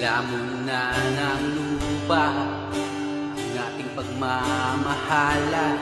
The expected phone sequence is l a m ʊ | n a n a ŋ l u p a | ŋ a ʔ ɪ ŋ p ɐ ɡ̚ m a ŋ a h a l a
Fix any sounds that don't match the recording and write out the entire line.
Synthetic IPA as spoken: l a m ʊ | n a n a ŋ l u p a | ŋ a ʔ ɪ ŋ p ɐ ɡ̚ m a m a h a l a